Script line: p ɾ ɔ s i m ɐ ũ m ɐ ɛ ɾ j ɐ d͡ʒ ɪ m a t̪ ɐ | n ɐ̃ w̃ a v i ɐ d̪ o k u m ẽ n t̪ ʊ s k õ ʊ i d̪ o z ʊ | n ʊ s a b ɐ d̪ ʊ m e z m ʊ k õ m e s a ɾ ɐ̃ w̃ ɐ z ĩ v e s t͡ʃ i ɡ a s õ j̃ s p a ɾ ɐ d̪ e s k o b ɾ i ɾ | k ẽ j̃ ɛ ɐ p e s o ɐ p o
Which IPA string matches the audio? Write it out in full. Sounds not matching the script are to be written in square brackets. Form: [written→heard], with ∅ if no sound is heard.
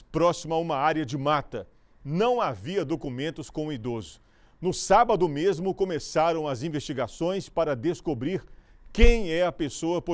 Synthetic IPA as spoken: p ɾ ɔ s i m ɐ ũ m ɐ [ɛ→a] ɾ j ɐ d͡ʒ ɪ m a t̪ ɐ | n ɐ̃ w̃ a v i ɐ d̪ o k u m ẽ n t̪ ʊ s k õ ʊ i d̪ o z ʊ | n ʊ s a b ɐ d̪ ʊ m e z m ʊ k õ m e s a ɾ ɐ̃ w̃ ɐ z ĩ v e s t͡ʃ i ɡ a s õ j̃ s p a ɾ ɐ d̪ e s k o b ɾ i ɾ | k ẽ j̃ ɛ ɐ p e s o ɐ p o